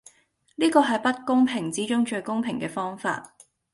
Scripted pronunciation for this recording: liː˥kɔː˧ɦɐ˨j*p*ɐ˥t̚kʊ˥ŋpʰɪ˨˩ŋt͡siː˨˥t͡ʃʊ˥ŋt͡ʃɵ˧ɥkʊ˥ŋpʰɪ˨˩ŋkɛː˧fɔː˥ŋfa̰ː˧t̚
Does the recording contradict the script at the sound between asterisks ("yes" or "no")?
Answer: no